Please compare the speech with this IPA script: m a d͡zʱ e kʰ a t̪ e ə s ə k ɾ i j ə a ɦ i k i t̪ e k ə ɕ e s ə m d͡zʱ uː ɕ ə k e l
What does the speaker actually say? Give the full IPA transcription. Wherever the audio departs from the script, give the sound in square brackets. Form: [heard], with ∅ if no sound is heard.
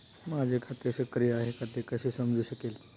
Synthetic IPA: m a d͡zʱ e kʰ a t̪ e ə s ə k ɾ i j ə a ɦ [e] k [a] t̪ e k ə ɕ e s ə m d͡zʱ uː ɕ ə k e l